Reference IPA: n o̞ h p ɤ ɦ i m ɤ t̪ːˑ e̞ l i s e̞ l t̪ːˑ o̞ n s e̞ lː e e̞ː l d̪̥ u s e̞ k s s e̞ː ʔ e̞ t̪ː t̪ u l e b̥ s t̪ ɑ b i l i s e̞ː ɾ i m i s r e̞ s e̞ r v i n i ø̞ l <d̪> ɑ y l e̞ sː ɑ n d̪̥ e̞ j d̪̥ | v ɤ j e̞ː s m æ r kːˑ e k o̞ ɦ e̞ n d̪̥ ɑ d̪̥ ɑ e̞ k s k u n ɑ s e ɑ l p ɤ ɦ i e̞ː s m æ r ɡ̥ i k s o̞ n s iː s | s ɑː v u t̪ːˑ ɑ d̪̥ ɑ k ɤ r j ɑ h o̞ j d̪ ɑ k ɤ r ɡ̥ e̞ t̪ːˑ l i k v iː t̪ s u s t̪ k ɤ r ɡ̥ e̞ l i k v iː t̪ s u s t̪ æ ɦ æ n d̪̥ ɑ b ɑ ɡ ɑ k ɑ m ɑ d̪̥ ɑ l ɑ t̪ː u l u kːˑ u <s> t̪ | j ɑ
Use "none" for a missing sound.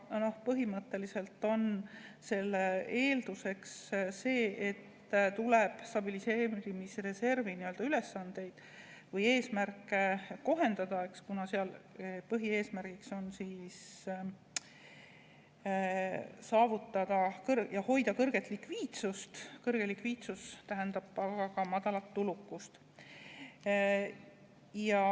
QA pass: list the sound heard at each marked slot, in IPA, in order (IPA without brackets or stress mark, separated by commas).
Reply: d̪, s